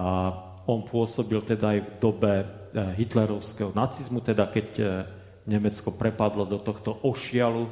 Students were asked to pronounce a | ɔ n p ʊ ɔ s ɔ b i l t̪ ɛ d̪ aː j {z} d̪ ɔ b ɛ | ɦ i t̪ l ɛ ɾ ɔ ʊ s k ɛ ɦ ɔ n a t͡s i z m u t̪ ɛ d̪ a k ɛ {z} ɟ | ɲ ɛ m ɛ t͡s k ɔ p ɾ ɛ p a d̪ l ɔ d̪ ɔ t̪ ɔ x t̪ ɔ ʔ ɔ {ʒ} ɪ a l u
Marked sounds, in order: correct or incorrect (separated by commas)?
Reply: incorrect, incorrect, incorrect